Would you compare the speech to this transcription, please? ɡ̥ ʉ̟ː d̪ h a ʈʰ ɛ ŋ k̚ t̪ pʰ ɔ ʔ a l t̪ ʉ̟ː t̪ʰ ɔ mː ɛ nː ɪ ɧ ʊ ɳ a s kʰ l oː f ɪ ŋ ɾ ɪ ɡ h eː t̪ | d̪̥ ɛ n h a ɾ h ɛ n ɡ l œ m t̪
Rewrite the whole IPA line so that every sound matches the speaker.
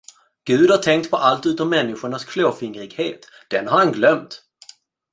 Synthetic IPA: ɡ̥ ʉ̟ː d̪ h a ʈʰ ɛ ŋ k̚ t̪ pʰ ɔ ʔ a l t̪ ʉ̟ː t̪ ɔ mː ɛ nː ɪ ɧ ʊ ɳ a s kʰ l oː f ɪ ŋ ɾ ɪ ɡ h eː t̪ | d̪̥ ɛ n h a ɾ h a n ɡ l œ m t̪